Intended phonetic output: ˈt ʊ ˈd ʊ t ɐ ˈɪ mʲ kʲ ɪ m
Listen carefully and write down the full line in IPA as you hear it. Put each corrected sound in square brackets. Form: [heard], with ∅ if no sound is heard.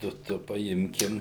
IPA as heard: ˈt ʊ [ˈt] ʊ [p] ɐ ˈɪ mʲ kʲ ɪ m